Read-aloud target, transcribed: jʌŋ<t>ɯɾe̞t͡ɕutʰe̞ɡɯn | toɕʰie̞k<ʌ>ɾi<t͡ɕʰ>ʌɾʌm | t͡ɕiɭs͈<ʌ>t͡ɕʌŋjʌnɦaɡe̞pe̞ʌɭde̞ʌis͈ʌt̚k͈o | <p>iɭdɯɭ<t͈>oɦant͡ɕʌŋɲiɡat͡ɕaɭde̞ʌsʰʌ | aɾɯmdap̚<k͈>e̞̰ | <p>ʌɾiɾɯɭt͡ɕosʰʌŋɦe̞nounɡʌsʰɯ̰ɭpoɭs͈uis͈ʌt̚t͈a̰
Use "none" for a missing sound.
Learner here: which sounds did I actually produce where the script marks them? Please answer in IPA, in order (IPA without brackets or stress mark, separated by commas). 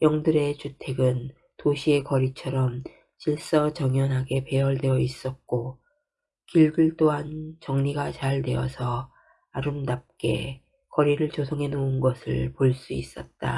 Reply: d, ʌ, t͡ɕʰ, ʌ, k, t͈, k͈, k